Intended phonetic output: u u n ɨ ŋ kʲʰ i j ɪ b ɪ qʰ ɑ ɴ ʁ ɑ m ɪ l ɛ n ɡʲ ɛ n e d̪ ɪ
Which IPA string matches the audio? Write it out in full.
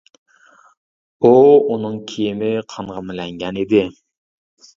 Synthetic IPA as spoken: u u n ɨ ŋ kʲʰ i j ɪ m ɪ qʰ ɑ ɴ ʁ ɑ m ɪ l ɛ ŋ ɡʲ ɛ n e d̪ ɪ